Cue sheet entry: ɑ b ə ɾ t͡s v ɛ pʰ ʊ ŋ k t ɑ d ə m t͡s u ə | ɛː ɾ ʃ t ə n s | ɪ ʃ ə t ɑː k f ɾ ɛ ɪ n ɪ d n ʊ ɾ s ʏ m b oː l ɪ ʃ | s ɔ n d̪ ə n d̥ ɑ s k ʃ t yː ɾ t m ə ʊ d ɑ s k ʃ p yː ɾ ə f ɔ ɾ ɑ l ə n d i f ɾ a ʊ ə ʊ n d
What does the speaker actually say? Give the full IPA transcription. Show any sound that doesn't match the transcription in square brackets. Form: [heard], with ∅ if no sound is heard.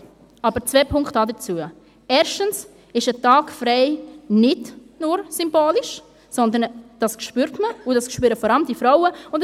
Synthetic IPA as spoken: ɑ b ə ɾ t͡s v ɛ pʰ ʊ ŋ k t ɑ d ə [∅] t͡s u ə | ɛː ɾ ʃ t ə n s | ɪ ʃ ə t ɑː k f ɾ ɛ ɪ n ɪ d n ʊ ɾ s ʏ m b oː l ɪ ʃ | s ɔ n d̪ ə n d̥ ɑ s k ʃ [p] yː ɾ t m ə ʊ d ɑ s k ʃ p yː ɾ ə f ɔ ɾ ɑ l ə [m] d i f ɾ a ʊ ə ʊ n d